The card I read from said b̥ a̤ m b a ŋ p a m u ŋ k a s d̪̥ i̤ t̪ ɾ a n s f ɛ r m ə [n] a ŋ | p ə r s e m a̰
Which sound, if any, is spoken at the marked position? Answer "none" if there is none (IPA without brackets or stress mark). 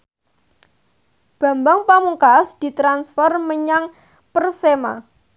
ɲ